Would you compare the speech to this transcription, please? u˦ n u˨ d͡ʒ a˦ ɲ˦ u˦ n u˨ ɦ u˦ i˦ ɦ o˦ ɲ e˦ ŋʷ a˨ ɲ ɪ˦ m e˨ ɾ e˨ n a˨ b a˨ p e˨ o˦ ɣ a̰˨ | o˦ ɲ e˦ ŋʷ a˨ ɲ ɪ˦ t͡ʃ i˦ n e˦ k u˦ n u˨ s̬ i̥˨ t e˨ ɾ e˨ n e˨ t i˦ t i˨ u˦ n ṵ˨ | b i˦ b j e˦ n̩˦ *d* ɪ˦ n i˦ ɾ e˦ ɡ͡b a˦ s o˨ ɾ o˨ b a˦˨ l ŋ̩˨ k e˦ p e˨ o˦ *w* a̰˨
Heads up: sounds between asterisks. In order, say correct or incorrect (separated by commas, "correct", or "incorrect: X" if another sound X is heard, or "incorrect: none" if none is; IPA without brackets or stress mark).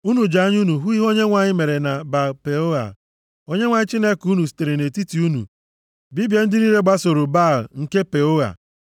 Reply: correct, incorrect: ɣ